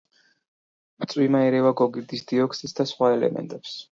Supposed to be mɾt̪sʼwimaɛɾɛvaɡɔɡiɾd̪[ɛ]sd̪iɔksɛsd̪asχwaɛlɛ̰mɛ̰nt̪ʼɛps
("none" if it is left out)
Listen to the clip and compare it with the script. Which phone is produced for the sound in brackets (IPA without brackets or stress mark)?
i